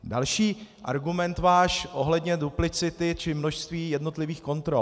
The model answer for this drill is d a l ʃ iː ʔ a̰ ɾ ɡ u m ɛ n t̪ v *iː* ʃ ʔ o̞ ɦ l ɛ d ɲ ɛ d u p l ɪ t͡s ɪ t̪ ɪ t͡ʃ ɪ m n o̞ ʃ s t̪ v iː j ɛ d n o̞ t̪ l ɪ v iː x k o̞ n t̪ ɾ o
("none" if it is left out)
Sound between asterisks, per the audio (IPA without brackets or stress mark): aː